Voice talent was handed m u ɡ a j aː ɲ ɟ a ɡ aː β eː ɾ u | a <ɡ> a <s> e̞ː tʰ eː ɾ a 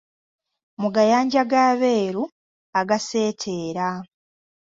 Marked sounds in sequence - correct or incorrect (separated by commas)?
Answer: correct, correct